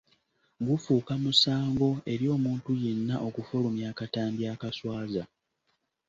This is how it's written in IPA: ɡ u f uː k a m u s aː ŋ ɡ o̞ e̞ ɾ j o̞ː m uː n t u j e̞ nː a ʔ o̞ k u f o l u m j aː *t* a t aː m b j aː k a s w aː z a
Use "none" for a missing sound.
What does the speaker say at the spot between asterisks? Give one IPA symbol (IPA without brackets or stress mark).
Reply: k